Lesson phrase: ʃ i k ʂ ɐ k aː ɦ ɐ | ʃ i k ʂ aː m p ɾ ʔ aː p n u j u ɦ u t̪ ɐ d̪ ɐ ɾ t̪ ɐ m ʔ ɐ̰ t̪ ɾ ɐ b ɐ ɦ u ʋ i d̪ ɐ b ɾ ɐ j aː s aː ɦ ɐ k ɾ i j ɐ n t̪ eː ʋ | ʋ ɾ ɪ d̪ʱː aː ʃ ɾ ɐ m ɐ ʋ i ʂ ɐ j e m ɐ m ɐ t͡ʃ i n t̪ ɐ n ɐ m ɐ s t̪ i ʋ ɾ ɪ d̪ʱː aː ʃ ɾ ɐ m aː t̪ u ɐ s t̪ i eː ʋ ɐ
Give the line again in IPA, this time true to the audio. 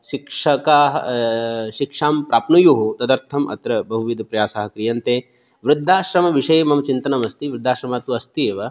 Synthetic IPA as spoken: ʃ i k ʂ ɐ k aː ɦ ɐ | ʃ i k ʂ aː m p ɾ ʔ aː p n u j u ɦ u t̪ ɐ d̪ ɐ ɾ t̪ʰ ɐ m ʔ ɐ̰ t̪ ɾ ɐ b ɐ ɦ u ʋ i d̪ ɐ p ɾ ɐ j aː s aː ɦ ɐ k ɾ i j ɐ n t̪ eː | ʋ ɾ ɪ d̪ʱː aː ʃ ɾ ɐ m ɐ ʋ i ʂ ɐ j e m ɐ m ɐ t͡ʃ i n t̪ ɐ n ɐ m ɐ s t̪ i ʋ ɾ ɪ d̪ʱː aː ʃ ɾ ɐ m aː t̪ u ɐ s t̪ i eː ʋ ɐ